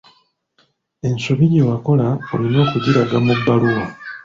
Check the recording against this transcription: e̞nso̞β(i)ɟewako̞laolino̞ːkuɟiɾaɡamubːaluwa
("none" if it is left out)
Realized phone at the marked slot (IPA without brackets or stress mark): i